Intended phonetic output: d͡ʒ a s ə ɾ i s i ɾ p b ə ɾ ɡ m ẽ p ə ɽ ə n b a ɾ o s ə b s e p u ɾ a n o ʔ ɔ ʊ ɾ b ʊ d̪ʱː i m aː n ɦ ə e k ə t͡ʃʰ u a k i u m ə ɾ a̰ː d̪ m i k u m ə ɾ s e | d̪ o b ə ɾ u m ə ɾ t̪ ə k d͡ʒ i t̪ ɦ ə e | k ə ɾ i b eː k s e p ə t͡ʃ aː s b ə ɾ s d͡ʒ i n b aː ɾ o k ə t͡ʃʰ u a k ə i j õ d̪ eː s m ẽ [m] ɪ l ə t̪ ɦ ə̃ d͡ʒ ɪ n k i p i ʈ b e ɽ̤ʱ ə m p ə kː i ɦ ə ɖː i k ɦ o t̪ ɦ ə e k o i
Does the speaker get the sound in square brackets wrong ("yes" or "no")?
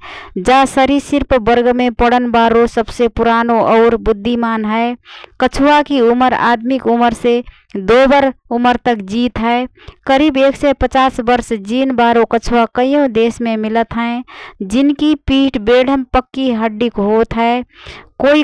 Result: no